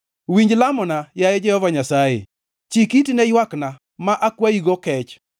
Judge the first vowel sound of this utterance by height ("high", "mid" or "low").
high